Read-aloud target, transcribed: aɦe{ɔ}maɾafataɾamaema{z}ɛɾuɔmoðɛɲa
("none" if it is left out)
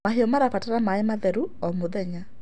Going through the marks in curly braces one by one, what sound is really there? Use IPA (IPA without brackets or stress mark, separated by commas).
ɔ, ð